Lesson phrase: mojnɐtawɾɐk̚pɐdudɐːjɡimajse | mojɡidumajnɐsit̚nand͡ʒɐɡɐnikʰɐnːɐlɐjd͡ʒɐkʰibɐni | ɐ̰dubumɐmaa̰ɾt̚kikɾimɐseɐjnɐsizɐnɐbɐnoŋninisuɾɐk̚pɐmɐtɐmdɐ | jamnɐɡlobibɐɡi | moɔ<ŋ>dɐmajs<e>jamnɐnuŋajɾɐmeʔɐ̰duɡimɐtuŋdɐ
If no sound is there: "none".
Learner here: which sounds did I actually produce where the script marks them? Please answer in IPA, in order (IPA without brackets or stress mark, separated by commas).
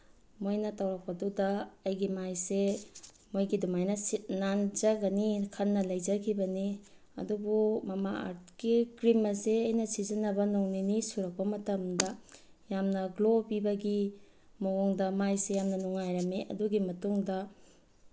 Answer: ŋ, e